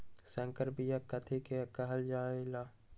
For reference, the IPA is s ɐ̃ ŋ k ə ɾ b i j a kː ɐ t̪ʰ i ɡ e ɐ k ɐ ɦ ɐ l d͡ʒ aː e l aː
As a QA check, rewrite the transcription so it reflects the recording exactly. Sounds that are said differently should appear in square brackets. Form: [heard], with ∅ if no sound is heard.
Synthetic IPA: s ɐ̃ ŋ k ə ɾ b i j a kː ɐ t̪ʰ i [k] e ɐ k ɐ ɦ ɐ l d͡ʒ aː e l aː